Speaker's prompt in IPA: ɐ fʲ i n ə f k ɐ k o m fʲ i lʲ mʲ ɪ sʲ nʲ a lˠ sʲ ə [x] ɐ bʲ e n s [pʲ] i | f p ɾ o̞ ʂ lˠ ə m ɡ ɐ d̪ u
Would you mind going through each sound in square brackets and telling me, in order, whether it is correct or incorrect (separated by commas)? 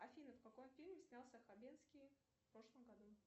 correct, incorrect